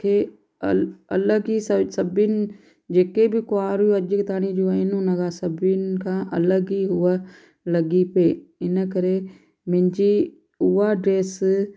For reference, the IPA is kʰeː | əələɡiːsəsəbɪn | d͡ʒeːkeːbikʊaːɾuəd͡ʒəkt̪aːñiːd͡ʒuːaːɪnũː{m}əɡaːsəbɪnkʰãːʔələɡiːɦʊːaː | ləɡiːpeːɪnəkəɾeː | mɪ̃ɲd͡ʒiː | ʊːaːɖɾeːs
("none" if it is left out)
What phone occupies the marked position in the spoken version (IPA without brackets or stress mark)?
n